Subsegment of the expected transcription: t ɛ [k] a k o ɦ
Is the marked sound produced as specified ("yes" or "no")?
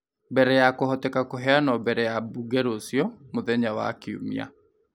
yes